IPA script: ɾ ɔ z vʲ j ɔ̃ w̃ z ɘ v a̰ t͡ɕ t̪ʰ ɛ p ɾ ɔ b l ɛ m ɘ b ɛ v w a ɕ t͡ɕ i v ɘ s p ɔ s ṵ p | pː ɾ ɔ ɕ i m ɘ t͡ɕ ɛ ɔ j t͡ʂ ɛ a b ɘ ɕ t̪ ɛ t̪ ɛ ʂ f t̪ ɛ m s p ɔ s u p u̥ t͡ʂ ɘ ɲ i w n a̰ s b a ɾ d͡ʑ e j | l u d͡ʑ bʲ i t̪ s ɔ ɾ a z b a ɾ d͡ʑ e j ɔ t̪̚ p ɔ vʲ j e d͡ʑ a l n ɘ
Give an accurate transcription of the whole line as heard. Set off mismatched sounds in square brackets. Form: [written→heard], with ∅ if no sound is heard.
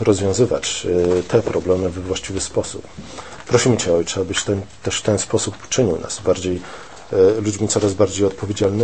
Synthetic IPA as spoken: ɾ ɔ z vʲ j ɔ̃ w̃ z ɘ v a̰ t͡ɕ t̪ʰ ɛ p ɾ ɔ b l ɛ m ɘ [b→v] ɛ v w a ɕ t͡ɕ i v ɘ s p ɔ s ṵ p | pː ɾ ɔ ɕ i m ɘ t͡ɕ ɛ ɔ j t͡ʂ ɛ a b ɘ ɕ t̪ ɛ t̪ ɛ ʂ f t̪ ɛ [m→n] s p ɔ s u p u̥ t͡ʂ ɘ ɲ i w n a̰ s b a ɾ d͡ʑ e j | l u d͡ʑ [bʲ→mʲ] i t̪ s ɔ ɾ a z b a ɾ d͡ʑ e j ɔ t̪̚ p ɔ vʲ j e d͡ʑ a l n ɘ